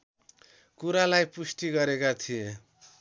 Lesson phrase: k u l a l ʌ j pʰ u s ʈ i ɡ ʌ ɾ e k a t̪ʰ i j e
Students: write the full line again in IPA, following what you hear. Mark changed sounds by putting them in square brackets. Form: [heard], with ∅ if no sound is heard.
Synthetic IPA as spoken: k u [ɾ] a l [a] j [p] u s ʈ i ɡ ʌ ɾ e k a t̪ʰ i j e